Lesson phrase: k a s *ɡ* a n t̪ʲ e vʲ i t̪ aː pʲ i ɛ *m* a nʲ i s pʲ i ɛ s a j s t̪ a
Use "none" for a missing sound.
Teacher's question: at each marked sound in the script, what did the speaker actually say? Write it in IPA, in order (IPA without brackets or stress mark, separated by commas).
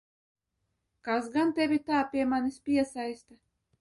ɡ, m